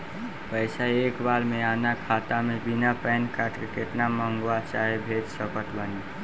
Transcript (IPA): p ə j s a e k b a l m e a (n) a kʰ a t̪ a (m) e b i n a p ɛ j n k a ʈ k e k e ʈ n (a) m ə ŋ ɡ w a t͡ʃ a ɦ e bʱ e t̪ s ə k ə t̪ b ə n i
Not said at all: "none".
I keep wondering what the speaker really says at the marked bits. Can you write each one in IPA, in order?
n, m, a

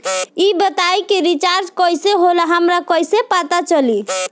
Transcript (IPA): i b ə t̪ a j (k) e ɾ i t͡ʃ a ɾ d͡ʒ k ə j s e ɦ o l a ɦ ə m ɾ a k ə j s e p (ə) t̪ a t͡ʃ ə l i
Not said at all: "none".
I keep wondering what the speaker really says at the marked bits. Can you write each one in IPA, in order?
k, a

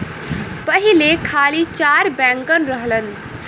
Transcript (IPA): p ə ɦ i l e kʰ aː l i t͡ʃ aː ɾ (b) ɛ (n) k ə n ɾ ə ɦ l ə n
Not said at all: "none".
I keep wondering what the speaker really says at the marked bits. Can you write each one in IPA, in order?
b, ŋ

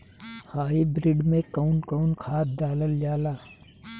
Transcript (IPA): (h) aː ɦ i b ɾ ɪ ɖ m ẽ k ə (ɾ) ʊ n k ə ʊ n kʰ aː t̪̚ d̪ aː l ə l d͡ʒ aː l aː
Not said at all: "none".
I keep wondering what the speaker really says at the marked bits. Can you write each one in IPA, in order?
h, none

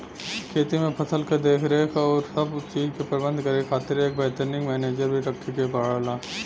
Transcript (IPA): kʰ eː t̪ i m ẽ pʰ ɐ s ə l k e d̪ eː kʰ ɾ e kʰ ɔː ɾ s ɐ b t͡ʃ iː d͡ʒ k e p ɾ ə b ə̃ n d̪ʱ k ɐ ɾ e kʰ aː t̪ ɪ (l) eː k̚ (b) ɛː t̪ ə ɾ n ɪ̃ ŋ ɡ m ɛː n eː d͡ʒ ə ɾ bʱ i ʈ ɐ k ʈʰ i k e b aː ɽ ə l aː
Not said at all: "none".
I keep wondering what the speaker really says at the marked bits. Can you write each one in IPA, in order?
ɾ, b

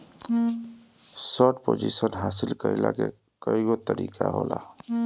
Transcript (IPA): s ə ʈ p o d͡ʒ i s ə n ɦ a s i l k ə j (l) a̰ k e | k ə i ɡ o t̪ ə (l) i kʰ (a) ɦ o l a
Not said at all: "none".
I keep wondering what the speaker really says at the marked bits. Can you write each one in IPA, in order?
l, ɾ, a

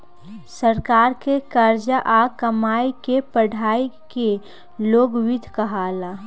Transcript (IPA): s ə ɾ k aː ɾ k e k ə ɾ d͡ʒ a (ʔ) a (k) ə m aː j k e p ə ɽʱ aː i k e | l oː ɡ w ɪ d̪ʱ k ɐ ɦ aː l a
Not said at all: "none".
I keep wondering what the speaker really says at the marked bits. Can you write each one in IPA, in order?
ʔ, k

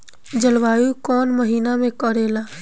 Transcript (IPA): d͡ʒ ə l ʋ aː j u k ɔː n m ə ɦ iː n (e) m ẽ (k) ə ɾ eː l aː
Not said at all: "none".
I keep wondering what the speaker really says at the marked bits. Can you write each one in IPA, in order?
a, k

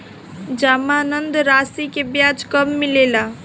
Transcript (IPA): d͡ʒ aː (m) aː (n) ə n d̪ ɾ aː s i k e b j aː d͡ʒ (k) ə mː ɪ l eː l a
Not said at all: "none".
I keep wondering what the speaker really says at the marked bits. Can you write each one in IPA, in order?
m, n, k

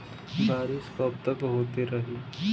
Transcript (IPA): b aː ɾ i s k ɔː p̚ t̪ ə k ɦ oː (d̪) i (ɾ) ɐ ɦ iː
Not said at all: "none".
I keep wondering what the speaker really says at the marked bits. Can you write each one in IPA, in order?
t̪, ɾ

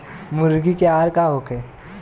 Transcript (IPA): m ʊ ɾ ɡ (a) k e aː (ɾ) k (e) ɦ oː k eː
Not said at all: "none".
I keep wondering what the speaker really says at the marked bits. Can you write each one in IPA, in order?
i, ɾ, a

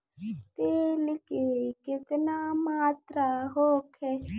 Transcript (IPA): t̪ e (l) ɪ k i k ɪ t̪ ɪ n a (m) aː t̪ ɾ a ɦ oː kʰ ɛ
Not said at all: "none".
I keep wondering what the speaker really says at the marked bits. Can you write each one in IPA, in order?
l, m

